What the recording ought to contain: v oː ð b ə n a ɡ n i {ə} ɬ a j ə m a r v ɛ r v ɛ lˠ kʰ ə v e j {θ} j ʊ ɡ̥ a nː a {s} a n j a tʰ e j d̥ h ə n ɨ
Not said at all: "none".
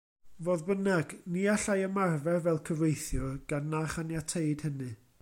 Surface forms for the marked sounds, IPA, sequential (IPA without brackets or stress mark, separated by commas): a, θ, χ